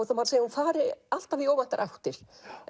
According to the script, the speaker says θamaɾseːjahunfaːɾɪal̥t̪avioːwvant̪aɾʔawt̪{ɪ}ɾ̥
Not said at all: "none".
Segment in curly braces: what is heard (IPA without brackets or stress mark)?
ɪ